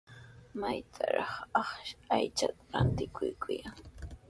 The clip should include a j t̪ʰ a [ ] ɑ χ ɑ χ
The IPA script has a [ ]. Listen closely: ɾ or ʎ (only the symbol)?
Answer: ɾ